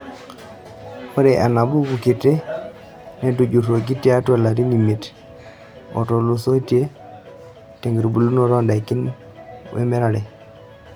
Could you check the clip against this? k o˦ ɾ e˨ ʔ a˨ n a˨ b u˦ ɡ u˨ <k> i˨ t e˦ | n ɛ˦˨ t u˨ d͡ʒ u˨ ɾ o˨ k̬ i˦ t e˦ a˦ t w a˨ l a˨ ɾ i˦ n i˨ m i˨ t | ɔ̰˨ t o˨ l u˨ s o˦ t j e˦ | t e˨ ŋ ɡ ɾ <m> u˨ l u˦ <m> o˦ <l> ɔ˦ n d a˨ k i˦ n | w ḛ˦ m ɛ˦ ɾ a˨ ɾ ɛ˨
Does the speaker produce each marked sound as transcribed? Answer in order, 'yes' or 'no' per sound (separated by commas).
yes, no, no, no